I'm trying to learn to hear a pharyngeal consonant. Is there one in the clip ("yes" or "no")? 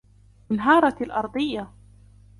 no